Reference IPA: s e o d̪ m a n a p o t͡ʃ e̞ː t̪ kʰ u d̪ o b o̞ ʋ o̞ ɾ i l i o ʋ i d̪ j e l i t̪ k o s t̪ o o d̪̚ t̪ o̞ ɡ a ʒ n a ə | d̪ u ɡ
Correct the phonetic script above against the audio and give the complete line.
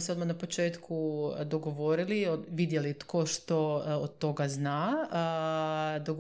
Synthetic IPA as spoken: s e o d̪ m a n a p o t͡ʃ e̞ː t̪ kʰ u d̪ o ɡ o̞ ʋ o̞ ɾ i l i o ʋ i d̪ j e l i t̪ k o ʃ t̪ o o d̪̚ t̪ o̞ ɡ a z n a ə | d̪ o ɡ